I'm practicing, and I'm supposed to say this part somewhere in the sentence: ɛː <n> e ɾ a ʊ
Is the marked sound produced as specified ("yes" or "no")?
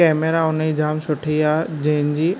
no